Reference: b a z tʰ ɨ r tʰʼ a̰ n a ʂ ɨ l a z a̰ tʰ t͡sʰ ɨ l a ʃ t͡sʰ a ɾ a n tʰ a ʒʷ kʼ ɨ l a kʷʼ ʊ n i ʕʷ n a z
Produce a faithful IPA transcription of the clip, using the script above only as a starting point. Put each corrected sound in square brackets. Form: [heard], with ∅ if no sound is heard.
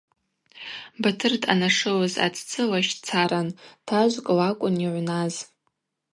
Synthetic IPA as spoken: b a [∅] tʰ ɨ r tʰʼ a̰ n a ʂ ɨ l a z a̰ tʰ t͡sʰ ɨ l a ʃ t͡sʰ a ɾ a n tʰ a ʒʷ kʼ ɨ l a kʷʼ ʊ n i ʕʷ n a z